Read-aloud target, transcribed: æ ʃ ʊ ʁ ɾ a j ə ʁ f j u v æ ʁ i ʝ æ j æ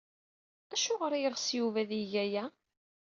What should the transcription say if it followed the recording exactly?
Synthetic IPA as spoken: æ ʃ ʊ ʁ ɾ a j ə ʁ s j u v æ ð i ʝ æ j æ